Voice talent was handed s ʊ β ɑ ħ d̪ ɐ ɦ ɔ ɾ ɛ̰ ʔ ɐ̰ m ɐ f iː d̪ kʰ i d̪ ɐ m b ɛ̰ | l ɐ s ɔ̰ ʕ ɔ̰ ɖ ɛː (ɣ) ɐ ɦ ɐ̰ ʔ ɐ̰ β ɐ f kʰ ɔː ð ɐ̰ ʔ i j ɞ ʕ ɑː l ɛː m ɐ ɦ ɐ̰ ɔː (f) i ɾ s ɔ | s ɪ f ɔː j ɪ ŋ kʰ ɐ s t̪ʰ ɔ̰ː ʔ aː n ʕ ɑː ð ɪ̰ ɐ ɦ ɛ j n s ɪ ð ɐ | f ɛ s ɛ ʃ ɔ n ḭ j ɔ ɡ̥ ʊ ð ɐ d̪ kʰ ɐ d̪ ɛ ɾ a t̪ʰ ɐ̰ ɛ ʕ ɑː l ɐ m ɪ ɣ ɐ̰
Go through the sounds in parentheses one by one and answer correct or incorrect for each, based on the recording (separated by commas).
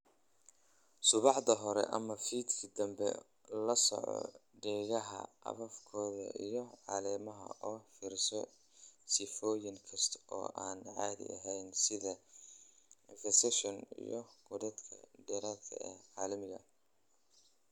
correct, correct